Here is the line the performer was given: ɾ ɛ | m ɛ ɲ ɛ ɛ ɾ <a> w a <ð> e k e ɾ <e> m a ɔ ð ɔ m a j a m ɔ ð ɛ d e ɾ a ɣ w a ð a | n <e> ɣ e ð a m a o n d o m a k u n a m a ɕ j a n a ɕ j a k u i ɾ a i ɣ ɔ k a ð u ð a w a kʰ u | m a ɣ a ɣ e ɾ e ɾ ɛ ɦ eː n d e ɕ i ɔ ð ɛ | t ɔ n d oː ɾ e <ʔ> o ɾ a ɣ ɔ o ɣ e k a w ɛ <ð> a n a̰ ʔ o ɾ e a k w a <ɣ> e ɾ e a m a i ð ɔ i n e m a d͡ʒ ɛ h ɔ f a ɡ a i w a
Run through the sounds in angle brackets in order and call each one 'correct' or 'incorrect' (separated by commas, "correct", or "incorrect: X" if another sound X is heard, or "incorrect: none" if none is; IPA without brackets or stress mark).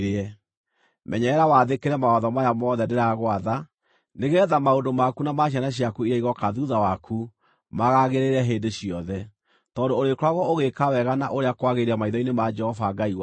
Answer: correct, correct, incorrect: ɛ, correct, incorrect: k, incorrect: ɣ, correct